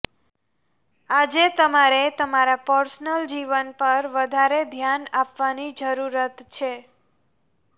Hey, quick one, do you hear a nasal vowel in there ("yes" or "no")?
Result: no